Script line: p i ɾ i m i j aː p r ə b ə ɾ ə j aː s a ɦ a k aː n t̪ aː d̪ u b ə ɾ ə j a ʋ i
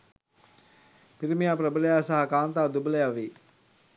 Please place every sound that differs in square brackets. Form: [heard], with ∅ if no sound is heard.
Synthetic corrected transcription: p i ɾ i m i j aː p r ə b ə [l] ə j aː s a ɦ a k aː n t̪ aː d̪ u b ə [l] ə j a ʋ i